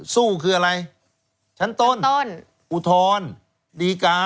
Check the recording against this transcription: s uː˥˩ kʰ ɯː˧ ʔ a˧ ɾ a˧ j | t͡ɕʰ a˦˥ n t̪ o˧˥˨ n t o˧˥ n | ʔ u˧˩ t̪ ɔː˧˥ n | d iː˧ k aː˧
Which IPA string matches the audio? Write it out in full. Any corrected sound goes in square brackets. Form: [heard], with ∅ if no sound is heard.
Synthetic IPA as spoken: s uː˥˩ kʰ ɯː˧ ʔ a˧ ɾ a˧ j | t͡ɕʰ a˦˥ n t̪ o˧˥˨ n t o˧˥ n | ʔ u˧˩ [t̪ʰ] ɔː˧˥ n | d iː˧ k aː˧